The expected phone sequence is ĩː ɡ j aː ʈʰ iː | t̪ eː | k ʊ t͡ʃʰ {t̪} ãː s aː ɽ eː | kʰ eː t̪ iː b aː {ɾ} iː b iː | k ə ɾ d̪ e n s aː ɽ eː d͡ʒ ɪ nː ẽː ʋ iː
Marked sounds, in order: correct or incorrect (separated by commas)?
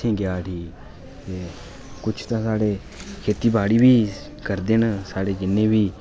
correct, incorrect